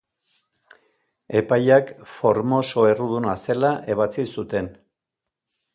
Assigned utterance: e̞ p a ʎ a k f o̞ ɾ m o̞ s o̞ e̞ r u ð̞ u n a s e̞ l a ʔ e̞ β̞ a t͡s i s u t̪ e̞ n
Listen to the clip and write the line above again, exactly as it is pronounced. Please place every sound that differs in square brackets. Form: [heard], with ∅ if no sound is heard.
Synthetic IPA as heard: e̞ p a [j] a k f o̞ ɾ m o̞ s o̞ e̞ r u ð̞ u n a s e̞ l a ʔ e̞ β̞ a t͡s i s u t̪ e̞ n